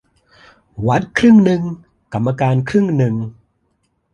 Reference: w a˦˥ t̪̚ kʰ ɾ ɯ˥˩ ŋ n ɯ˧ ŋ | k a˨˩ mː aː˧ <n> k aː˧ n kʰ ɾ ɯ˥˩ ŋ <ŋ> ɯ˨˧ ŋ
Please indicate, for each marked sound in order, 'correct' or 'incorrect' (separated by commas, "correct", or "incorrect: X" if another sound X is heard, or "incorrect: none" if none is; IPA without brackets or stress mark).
incorrect: none, incorrect: n